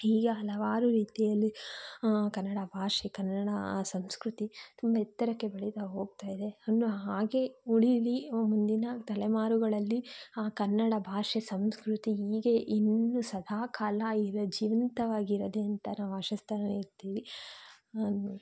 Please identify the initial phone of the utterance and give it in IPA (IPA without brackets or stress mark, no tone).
iː